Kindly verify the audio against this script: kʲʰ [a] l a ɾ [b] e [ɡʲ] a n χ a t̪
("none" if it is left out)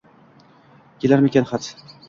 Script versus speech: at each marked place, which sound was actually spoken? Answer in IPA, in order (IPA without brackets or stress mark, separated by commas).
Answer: e, m, kʲ